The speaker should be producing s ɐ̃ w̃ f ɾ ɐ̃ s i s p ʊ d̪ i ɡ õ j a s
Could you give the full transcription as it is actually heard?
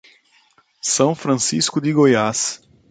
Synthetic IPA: s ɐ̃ w̃ f ɾ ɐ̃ s i s k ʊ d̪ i ɡ o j a s